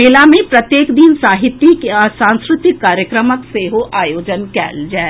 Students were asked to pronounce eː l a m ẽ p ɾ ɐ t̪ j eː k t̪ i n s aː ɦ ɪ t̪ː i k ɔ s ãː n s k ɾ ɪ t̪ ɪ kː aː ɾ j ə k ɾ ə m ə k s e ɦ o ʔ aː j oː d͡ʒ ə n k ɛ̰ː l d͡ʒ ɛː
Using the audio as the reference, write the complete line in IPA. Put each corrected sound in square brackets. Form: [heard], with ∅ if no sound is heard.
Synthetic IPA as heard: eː l a m ẽ p ɾ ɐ t̪ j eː k [d̪] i n s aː ɦ ɪ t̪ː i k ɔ s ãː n s k ɾ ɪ t̪ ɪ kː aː ɾ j ə k ɾ ə m ə k s e ɦ o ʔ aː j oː d͡ʒ ə n k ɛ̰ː l d͡ʒ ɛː